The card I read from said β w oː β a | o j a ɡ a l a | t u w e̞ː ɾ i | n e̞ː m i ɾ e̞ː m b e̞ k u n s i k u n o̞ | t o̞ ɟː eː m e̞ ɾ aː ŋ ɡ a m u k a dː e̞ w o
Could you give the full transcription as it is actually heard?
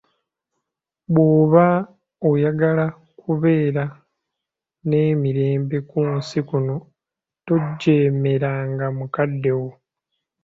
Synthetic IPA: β w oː β a | o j a ɡ a l a | k u β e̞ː ɾ a | n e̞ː m i ɾ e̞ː m b e̞ k u n s i k u n o̞ | t o̞ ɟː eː m e̞ ɾ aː ŋ ɡ a m u k a dː e̞ w o